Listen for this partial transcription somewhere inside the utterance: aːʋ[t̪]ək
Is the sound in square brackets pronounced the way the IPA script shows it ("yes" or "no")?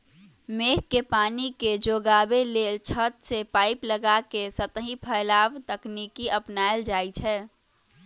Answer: yes